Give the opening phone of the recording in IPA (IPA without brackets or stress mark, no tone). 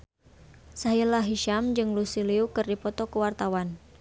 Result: s